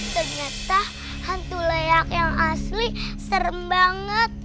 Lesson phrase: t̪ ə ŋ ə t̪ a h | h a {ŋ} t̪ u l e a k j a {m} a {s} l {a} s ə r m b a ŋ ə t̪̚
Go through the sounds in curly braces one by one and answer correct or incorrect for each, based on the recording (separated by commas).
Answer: incorrect, incorrect, correct, incorrect